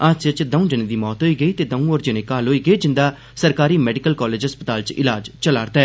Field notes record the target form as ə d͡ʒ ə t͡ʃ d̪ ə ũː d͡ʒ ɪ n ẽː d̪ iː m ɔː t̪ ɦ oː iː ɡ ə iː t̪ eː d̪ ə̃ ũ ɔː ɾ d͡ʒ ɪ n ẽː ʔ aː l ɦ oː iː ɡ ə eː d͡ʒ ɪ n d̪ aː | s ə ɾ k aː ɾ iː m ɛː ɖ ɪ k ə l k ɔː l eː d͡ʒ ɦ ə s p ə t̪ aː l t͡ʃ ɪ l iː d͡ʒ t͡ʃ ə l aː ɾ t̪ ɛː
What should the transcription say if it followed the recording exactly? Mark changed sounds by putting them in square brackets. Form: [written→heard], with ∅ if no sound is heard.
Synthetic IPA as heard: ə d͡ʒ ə t͡ʃ d̪ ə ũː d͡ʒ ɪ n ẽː d̪ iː m ɔː t̪ ɦ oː iː ɡ ə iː t̪ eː d̪ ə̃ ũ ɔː ɾ d͡ʒ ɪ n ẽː [ʔ→k] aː l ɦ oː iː ɡ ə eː d͡ʒ ɪ n d̪ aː | s ə ɾ k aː ɾ iː m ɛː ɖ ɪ k ə l k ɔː l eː d͡ʒ ɦ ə s p ə t̪ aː l t͡ʃ ɪ l [iː→aː] d͡ʒ t͡ʃ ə l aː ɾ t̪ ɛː